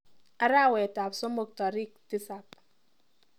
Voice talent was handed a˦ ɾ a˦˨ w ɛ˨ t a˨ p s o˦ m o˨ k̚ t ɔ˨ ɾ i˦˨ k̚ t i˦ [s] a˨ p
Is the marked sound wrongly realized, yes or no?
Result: no